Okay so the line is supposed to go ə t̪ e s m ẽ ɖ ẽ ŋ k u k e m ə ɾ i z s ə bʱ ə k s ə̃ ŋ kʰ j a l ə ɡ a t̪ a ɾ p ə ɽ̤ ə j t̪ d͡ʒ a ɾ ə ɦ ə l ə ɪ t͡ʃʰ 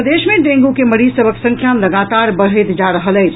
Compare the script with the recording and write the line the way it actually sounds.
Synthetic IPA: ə d̪ e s m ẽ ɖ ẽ ŋ ɡ u k e m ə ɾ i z s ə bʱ ə k s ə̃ ŋ kʰ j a l ə ɡ a t̪ a ɾ b ə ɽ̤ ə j t̪ d͡ʒ a ɾ ə ɦ ə l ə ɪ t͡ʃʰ

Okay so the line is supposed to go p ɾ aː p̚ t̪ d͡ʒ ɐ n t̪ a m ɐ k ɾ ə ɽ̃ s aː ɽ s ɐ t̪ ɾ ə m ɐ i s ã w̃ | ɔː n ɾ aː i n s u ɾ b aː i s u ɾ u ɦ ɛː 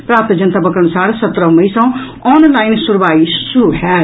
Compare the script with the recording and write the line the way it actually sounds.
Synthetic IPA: p ɾ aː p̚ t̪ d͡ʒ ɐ n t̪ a b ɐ k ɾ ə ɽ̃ s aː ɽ s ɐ t̪ ɾ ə m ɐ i s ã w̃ | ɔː n l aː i n s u ɾ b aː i s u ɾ u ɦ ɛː

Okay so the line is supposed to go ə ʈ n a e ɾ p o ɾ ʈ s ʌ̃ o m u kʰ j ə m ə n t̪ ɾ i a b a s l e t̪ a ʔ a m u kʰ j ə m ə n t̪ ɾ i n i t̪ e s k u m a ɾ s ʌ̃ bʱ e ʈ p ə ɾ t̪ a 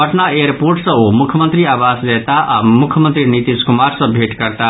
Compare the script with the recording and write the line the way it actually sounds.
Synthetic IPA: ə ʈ n a e ɾ p o ɾ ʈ s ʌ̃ o m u kʰ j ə m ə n t̪ ɾ i a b a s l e t̪ a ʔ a m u kʰ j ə m ə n t̪ ɾ i n i t̪ i s k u m a ɾ s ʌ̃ bʱ e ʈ k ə ɾ t̪ a

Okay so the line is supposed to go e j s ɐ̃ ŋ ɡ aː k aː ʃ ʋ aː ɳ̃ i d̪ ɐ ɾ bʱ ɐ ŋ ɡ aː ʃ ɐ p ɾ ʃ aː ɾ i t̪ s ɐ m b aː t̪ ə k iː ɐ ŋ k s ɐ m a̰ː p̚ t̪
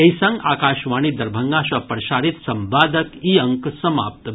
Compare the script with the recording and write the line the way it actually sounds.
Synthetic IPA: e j s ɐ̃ ŋ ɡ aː k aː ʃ ʋ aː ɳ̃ i d̪ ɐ ɾ bʱ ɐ ŋ ɡ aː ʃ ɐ p ɾ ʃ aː ɾ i t̪ s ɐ m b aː d̪ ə k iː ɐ ŋ k s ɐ m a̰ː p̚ t̪

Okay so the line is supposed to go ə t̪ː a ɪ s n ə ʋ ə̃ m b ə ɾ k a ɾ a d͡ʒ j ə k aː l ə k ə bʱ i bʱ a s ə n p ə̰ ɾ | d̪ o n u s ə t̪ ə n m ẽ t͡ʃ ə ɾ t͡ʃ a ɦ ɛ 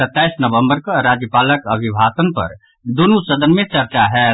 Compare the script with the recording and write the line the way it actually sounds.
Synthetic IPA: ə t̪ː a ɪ s n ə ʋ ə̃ m b ə ɾ k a ɾ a d͡ʒ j ə p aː l ə k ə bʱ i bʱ a s ə n p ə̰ ɾ | d̪ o n u s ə d̪ ə n m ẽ t͡ʃ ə ɾ t͡ʃ a ɦ ɛ

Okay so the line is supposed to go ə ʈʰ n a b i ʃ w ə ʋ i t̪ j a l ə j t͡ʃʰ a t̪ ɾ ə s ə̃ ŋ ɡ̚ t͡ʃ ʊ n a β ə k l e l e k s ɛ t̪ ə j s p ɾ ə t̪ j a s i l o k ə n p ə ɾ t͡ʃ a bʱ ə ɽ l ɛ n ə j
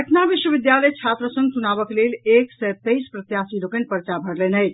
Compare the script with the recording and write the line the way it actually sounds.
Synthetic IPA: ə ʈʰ n a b i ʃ w ə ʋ i d̪ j a l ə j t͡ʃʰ a t̪ ɾ ə s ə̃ ŋ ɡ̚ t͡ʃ u n a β ə k l e l e k s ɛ t̪ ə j s p ɾ ə t̪ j a s i l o k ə n p ə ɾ t͡ʃ a bʱ ə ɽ l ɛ n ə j

